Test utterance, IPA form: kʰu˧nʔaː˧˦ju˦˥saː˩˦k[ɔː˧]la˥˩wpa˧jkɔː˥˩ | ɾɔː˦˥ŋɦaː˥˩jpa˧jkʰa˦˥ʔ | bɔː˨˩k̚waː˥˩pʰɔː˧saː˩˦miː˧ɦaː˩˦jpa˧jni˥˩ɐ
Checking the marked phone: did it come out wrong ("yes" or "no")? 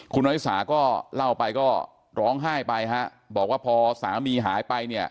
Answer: yes